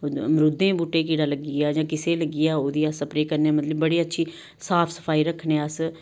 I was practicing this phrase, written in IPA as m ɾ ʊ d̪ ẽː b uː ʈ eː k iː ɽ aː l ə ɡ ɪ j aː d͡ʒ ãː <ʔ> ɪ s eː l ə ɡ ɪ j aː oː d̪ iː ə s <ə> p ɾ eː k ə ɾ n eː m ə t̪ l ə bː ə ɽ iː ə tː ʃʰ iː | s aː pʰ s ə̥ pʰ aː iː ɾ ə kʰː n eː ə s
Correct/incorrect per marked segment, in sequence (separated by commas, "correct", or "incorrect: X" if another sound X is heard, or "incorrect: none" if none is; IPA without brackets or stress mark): incorrect: k, correct